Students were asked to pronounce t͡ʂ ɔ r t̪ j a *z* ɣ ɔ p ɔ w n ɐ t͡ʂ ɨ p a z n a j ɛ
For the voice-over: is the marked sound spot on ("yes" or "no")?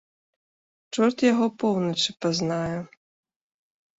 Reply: no